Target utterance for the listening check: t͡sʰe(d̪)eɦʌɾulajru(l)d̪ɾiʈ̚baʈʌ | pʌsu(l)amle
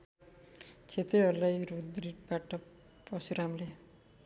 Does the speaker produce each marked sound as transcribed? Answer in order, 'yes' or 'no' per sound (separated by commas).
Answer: no, no, no